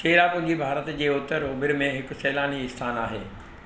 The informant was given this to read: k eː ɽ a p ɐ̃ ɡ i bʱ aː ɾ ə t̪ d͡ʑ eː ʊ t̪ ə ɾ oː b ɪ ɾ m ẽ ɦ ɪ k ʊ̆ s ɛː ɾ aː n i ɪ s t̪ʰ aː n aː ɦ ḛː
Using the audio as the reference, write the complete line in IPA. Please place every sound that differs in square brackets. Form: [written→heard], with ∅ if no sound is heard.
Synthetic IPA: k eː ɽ a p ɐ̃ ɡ i bʱ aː ɾ ə t̪ d͡ʑ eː ʊ t̪ ə ɾ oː b ɪ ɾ m ẽ ɦ ɪ k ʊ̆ s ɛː [ɾ→l] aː n i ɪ s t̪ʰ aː n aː ɦ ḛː